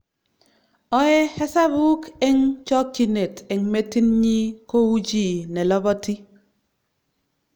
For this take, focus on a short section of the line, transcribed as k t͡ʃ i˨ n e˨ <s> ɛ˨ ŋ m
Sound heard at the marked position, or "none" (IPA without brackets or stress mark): t